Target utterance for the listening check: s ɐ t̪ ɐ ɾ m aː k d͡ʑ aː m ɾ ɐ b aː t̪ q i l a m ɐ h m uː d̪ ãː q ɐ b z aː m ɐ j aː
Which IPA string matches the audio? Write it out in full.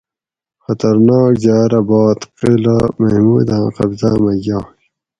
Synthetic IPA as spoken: x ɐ t̪ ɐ ɾ n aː k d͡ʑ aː ɾ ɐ b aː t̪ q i l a m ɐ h m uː d̪ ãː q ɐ b z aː m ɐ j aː